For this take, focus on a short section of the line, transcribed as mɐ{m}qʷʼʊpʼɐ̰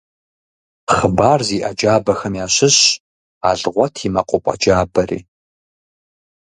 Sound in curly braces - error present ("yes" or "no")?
yes